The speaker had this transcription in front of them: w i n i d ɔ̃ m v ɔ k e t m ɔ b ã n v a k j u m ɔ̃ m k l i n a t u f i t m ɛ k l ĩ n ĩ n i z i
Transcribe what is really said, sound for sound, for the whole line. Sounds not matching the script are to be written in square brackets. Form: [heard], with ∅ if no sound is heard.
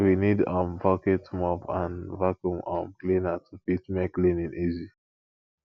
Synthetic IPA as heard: w i n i d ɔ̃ m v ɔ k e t m ɔ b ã n v a k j u m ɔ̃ m k l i n a t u f i t m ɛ k l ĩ n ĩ n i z i